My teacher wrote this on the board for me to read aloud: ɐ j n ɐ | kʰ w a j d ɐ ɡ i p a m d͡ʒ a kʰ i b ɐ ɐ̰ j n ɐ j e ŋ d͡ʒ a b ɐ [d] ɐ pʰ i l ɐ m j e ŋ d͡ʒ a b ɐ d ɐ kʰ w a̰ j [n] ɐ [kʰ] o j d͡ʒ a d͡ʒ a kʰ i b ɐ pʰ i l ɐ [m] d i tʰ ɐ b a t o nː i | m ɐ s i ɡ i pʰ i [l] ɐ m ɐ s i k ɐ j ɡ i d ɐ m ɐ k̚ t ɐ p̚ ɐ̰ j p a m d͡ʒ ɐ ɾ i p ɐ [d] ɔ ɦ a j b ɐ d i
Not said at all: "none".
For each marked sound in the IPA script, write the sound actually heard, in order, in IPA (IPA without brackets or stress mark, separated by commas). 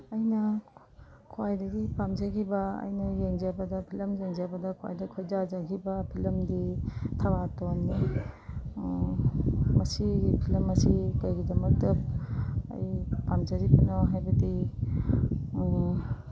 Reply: d, d, kʰ, m, l, n